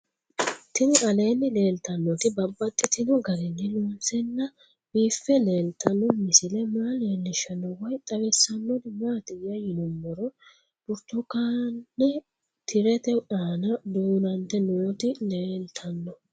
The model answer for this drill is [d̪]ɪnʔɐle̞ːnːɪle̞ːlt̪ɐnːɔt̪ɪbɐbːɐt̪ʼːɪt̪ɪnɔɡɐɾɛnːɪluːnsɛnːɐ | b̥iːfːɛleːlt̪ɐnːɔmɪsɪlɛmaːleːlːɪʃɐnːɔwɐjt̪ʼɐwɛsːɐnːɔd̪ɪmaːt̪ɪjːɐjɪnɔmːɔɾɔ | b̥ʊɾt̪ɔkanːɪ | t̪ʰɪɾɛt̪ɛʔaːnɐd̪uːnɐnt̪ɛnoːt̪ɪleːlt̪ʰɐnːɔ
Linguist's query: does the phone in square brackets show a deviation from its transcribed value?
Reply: yes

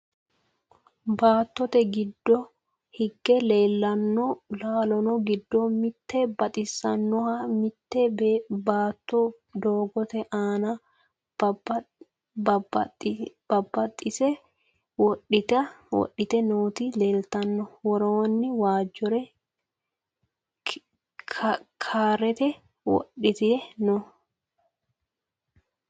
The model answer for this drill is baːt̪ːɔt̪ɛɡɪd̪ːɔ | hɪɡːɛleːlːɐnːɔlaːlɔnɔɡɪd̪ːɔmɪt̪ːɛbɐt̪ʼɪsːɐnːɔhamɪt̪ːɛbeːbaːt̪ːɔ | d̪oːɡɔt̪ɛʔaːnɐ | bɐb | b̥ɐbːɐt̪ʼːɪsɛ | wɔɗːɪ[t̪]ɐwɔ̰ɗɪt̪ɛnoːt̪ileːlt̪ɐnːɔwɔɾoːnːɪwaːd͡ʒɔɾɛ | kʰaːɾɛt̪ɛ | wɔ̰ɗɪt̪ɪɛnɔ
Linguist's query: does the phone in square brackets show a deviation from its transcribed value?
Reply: no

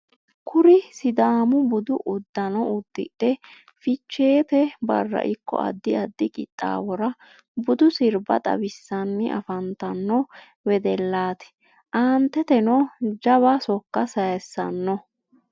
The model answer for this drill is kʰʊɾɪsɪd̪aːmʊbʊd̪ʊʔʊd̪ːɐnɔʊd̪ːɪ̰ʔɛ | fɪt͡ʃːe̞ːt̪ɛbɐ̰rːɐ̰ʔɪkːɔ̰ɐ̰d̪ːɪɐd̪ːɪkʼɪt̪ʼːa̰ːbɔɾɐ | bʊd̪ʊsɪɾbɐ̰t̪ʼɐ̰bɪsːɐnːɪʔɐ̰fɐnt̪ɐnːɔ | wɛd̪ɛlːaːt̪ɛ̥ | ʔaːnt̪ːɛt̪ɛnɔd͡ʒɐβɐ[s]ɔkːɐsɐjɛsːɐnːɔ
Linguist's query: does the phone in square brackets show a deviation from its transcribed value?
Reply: no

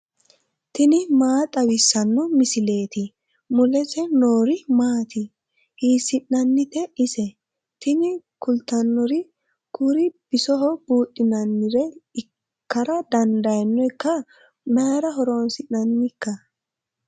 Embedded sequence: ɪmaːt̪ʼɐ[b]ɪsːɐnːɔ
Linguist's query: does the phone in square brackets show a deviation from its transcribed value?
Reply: yes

